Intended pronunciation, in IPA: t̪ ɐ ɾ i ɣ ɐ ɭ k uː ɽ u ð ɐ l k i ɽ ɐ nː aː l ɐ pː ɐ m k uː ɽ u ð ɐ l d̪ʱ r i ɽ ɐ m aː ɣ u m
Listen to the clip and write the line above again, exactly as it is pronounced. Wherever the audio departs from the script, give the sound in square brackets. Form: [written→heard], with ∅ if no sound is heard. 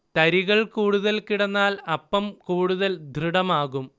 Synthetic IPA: t̪ ɐ ɾ i ɣ ɐ ɭ k uː ɽ u ð ɐ l k i ɽ ɐ nː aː l ɐ pː ɐ m k uː ɽ u ð ɐ l d̪ʱ r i ɽ ɐ m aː ɣ u m